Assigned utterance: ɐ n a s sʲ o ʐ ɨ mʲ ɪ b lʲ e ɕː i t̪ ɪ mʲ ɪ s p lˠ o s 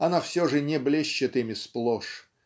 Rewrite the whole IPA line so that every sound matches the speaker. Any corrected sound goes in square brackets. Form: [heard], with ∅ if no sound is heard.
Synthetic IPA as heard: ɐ n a [f] sʲ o ʐ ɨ [nʲ] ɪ b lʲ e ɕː [ɪ] t̪ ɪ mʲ ɪ s p lˠ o [ʂ]